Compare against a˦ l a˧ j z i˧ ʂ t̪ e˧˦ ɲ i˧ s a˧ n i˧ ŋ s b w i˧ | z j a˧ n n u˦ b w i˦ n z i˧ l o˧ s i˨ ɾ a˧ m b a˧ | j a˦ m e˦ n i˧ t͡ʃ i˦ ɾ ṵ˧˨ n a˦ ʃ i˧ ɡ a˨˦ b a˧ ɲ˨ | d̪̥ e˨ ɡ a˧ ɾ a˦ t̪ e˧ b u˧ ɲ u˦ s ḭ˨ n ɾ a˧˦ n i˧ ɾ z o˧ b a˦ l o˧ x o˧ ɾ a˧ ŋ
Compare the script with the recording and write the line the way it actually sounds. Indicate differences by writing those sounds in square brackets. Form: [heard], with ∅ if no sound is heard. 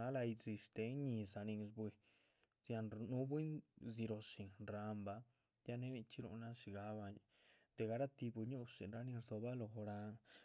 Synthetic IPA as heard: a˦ l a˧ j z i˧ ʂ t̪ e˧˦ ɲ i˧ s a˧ n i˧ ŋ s b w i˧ | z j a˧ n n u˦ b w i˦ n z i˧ [ɾ] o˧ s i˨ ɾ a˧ m b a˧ | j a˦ [n] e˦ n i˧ t͡ʃ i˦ ɾ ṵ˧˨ n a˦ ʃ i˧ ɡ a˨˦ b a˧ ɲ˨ | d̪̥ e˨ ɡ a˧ ɾ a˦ t̪ [i˧] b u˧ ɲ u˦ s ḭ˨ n ɾ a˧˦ n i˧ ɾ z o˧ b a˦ l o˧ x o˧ ɾ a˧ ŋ